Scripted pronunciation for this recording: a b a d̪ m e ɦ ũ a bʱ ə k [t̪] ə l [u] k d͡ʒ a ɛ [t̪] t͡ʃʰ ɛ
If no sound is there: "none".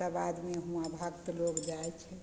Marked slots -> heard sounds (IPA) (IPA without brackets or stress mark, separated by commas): t̪, o, none